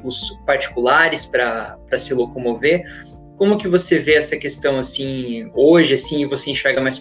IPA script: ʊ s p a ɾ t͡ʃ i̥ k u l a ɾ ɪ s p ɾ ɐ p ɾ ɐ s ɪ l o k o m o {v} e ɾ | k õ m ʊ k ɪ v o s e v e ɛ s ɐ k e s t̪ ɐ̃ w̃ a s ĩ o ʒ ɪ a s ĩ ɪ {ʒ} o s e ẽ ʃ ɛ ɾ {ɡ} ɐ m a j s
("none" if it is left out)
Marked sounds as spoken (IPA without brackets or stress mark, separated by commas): v, v, ɡ